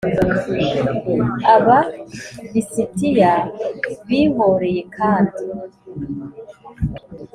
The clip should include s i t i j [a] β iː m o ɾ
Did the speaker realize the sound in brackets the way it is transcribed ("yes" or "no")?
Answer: yes